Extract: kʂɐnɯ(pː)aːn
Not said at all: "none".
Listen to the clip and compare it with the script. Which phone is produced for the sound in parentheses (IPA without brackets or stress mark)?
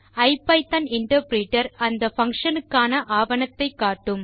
kː